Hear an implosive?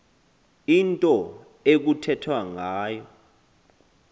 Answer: no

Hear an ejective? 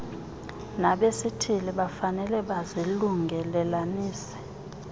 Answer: no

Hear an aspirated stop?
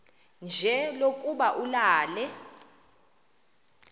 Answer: no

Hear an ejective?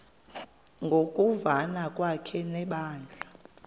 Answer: yes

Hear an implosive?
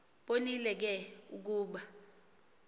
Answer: yes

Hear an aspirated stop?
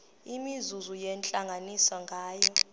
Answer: no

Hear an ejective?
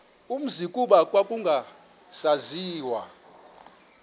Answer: yes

